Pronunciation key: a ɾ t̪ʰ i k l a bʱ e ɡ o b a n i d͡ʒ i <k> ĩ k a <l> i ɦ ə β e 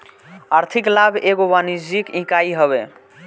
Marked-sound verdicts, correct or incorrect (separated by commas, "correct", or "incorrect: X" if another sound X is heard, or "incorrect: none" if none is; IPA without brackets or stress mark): correct, incorrect: none